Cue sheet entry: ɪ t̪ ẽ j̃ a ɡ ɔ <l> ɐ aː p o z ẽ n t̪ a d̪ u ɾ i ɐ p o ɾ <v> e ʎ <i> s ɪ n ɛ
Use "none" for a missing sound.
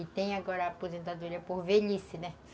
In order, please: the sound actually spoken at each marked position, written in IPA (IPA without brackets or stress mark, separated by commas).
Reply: ɾ, v, i